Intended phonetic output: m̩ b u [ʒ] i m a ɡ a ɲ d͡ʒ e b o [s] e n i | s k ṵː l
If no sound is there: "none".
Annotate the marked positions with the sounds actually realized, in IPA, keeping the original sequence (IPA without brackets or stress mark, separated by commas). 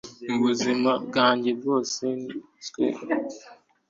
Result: z, s